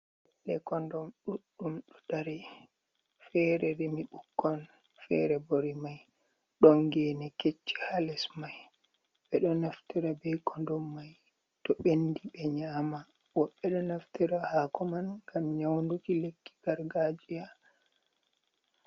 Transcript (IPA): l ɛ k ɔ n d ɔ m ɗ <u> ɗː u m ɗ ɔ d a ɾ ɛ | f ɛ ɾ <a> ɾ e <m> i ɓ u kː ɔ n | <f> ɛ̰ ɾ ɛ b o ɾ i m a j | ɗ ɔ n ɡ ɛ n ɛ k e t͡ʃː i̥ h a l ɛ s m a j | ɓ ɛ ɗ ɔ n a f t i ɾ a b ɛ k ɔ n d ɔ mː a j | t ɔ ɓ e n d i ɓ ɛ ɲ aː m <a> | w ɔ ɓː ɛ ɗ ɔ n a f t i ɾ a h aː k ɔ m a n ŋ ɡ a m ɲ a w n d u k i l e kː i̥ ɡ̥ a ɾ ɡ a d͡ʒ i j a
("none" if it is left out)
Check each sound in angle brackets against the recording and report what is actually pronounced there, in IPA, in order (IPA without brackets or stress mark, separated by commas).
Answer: u, ɛ, m, f, a